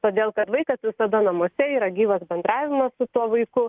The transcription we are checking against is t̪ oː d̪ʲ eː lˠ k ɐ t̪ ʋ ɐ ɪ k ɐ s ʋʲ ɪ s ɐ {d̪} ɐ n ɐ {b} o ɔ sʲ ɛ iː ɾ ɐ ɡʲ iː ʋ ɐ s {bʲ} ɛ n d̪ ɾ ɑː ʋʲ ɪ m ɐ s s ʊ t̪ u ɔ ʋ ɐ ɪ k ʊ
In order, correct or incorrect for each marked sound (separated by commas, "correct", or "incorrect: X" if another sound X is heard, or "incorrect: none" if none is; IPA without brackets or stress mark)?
correct, incorrect: m, correct